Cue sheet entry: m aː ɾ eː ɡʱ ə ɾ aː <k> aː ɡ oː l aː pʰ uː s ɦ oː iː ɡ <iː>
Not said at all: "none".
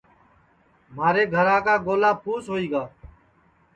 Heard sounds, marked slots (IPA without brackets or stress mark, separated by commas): k, aː